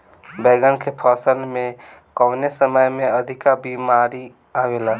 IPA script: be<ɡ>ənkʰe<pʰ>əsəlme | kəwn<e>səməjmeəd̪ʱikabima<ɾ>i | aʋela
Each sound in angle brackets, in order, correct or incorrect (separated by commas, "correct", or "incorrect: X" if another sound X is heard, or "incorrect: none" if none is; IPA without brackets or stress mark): correct, correct, correct, correct